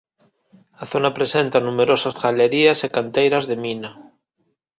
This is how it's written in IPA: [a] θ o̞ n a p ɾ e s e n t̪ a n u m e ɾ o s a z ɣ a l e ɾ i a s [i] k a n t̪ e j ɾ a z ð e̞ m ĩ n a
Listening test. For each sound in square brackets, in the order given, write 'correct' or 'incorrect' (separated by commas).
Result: correct, incorrect